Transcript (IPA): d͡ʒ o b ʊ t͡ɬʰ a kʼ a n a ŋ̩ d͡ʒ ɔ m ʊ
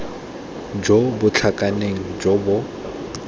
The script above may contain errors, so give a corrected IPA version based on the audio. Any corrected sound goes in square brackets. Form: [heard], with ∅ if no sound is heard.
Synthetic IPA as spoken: d͡ʒ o b ʊ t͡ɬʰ a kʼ a n [e] ŋ̩ d͡ʒ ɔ [b] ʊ